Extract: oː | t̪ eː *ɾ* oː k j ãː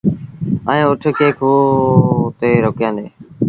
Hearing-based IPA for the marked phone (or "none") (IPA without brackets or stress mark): ɾ